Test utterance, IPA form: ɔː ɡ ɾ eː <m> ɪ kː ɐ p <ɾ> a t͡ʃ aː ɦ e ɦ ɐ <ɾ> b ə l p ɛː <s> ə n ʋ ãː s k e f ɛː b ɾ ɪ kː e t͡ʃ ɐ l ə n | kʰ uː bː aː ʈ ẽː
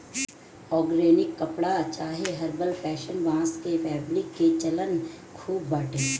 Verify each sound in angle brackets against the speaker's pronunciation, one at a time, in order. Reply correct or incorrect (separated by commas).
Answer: incorrect, incorrect, correct, incorrect